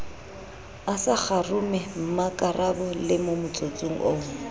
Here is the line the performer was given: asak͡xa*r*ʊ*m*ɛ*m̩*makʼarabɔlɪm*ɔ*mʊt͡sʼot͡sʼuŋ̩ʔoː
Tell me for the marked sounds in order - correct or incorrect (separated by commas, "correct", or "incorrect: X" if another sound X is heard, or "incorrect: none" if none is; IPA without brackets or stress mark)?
correct, correct, correct, incorrect: o